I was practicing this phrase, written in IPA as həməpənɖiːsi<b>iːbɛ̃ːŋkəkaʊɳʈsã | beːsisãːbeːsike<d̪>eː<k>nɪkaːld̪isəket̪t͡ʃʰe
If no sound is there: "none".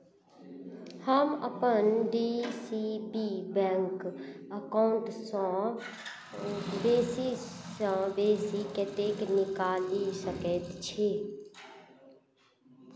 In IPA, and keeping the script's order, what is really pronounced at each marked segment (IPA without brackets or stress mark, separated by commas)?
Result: b, t̪, k